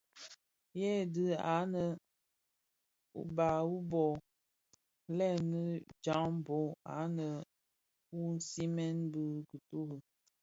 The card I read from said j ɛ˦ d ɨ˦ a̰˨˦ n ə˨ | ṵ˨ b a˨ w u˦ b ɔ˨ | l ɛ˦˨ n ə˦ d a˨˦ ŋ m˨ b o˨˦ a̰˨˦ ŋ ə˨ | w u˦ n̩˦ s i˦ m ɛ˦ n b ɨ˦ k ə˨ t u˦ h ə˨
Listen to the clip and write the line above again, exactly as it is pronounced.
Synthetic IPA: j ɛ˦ d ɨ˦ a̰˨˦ n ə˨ | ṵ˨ b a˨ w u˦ b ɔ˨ | l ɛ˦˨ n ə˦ d͡ʒ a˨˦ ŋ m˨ b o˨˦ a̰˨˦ n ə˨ | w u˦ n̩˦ s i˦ m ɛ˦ n b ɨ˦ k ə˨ t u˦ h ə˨